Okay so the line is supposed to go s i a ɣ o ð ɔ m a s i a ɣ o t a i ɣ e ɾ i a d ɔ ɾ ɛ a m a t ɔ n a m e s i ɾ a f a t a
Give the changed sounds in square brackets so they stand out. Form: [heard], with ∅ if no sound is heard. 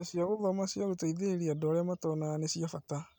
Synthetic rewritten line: s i a ɣ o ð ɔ m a s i a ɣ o t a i [ð] e ɾ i a d ɔ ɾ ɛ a m a t ɔ n a [n] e s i [∅] a f a t a

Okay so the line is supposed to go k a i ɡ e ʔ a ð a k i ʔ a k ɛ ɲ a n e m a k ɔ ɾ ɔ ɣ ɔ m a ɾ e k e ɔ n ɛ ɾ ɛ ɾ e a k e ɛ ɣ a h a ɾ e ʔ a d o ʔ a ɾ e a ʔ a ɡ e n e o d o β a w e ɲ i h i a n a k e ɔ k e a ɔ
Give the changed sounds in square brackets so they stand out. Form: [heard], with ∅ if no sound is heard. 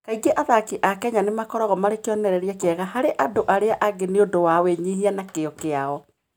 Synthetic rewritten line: k a i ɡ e ʔ a ð a k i ʔ a k ɛ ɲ a n e m a k ɔ ɾ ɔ ɣ ɔ m a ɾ e k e ɔ n ɛ ɾ ɛ ɾ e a k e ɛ ɣ a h a ɾ e ʔ a d o ʔ a ɾ e a ʔ a ɡ e n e o d o [w] a w e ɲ i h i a n a k e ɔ k e a ɔ

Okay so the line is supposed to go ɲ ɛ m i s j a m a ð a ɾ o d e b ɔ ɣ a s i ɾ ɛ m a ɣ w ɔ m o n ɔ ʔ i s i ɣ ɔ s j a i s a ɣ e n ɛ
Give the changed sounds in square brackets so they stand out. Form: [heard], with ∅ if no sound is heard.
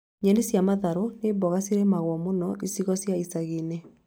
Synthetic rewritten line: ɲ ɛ [n] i s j a m a ð a ɾ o [n] e b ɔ ɣ a s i ɾ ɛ m a ɣ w ɔ m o n ɔ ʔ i s i ɣ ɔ s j a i s a ɣ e n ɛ

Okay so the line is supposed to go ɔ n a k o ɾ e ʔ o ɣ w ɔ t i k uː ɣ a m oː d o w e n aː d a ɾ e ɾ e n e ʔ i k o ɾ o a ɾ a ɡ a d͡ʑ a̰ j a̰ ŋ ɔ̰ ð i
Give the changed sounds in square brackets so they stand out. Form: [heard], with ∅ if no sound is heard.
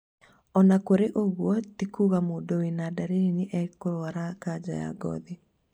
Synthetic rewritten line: ɔ n a k o ɾ e ʔ o ɣ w ɔ t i k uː ɣ a m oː d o w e n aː d a ɾ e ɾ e n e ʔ [ɛ] k o ɾ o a ɾ a [k] a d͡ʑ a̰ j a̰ [ɡ] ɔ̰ ð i

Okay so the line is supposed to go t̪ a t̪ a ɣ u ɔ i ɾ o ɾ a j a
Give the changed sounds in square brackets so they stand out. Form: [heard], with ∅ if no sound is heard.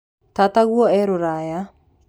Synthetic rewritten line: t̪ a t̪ a ɣ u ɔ [ɛ] ɾ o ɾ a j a

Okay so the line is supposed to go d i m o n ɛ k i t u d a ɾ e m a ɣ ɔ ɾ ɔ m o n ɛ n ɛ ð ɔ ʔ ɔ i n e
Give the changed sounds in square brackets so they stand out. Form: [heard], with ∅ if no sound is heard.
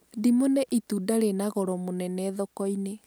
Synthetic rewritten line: d i m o n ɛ [ʔ] i t u d a ɾ e [n] a ɣ ɔ ɾ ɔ m o n ɛ n ɛ ð ɔ [k] ɔ i n e

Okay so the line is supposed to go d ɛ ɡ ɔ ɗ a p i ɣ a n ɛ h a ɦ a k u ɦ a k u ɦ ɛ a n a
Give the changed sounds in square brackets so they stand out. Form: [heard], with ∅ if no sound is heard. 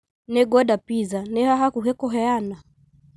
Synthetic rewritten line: [n] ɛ ɡ ɔ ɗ a p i [z] a n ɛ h a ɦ a k u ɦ [ɛ] k [ɔ] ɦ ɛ a n a

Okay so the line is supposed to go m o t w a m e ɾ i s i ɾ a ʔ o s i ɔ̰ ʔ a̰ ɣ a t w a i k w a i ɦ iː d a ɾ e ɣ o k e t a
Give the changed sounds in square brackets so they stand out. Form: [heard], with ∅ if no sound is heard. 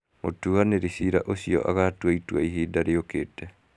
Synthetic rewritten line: m o t [u] a [n] e ɾ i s i ɾ a ʔ o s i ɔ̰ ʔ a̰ ɣ a t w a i [t] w a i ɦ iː d a ɾ e [∅] o k e t [ɛ]

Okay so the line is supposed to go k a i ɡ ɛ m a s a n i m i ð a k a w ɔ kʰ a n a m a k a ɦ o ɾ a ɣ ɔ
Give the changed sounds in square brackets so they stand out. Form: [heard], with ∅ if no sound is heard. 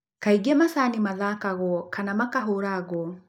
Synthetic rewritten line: k a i ɡ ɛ m a s a n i m [a] ð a k a [ɣ] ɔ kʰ a n a m a k a ɦ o ɾ a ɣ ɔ

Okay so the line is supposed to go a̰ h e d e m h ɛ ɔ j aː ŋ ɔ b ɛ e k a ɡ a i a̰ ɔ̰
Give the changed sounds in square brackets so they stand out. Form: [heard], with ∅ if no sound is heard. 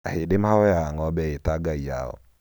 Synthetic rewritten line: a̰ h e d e m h [a] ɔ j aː ŋ ɔ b ɛ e [t] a ɡ a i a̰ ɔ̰

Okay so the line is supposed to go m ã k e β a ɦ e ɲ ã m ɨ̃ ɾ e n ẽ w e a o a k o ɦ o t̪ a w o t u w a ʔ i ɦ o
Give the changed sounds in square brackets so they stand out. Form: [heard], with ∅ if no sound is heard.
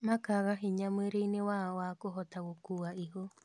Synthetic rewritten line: m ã k [a] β a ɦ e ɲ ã m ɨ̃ ɾ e n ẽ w [a] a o a k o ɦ o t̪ a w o [k] u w a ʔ i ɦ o

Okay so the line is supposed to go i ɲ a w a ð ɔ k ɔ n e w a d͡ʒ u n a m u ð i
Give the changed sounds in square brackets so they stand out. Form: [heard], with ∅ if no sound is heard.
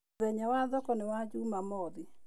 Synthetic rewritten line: [ɛ] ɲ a w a ð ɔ k ɔ n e w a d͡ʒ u [m] a m [ɔ] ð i

